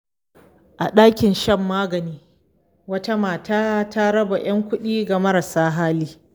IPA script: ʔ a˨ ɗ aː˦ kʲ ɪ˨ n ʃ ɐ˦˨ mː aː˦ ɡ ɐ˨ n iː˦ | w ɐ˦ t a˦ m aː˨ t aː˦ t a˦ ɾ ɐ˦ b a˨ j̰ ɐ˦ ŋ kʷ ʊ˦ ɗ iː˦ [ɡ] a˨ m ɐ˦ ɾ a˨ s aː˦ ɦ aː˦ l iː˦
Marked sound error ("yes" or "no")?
no